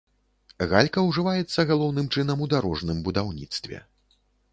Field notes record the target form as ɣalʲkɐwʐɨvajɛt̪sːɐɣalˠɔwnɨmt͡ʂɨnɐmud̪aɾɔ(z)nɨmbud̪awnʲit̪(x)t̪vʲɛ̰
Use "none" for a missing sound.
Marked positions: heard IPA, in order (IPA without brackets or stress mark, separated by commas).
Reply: ʐ, s